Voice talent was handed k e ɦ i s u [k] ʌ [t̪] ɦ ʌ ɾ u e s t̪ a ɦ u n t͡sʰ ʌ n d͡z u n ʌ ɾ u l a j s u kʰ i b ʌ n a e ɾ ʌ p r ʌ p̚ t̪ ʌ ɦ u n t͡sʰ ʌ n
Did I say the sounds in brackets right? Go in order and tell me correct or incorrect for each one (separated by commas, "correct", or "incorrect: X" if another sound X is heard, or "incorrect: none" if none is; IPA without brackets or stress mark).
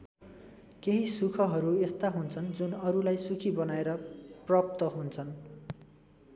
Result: incorrect: kʰ, incorrect: none